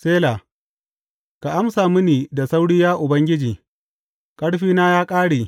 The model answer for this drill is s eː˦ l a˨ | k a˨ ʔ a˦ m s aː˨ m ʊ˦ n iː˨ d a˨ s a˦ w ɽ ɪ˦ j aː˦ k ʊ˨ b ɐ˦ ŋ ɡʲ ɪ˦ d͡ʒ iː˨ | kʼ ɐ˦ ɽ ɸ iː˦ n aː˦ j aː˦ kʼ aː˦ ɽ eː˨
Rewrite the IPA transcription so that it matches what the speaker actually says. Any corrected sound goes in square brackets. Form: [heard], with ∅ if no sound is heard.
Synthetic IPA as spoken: s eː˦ l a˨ | k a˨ ʔ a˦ m s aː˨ m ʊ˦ n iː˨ d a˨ s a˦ w ɽ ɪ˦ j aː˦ [ʔ] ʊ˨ b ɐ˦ ŋ ɡʲ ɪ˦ d͡ʒ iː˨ | kʼ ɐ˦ ɽ ɸ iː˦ n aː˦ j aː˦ kʼ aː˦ ɽ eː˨